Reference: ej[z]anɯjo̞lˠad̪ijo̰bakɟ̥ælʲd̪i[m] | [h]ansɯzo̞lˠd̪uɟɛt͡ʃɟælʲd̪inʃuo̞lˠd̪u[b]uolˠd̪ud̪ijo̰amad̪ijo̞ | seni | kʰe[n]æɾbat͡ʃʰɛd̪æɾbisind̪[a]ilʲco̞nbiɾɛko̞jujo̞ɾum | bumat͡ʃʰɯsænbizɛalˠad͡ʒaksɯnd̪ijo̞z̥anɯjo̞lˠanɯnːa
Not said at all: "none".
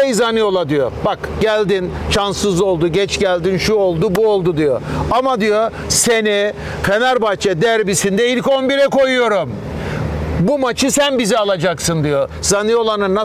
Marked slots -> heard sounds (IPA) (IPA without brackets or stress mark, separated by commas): z, n, ʃ, b, n, ɛ